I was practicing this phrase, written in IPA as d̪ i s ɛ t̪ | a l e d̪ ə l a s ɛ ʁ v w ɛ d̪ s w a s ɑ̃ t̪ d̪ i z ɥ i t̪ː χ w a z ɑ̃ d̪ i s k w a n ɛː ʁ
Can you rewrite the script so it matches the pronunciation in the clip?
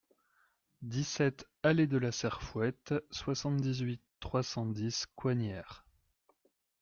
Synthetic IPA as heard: d̪ i s ɛ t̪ | a l e d̪ ə l a s ɛ ʁ f w ɛ t̪ s w a s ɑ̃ t̪ d̪ i z ɥ i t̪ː χ w a s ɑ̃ d̪ i s k w a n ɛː ʁ